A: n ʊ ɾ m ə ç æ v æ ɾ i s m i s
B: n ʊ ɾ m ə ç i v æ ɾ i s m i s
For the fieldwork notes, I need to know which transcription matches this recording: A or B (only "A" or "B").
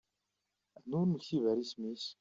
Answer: B